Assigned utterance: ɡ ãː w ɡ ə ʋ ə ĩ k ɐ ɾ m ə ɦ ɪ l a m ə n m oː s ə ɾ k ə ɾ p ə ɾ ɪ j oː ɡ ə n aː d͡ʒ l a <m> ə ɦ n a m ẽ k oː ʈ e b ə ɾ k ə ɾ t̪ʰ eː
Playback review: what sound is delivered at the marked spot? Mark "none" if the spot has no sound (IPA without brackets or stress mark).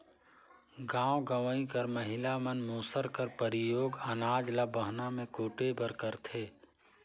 b